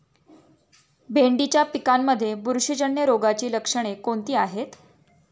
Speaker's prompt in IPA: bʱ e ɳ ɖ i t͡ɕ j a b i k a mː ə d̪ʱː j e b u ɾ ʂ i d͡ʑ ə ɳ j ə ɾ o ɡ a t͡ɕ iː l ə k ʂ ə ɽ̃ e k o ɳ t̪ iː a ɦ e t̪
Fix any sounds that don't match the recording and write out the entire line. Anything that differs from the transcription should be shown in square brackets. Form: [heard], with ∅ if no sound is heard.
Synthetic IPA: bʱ e ɳ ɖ i t͡ɕ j a [p] i k a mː ə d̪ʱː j e b u ɾ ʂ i d͡ʑ ə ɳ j ə ɾ o ɡ a t͡ɕ iː l ə k ʂ ə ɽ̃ e k o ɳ t̪ iː a ɦ e t̪